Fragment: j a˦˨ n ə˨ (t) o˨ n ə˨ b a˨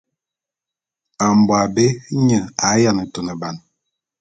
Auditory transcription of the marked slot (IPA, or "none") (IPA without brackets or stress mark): t